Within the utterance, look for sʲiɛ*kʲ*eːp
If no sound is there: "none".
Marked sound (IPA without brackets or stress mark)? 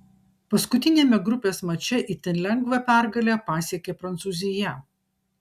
kʲ